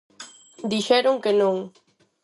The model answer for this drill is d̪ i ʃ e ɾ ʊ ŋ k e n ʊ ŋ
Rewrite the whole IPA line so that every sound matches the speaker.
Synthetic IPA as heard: d̪ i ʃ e ɾ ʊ ŋ k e n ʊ ŋ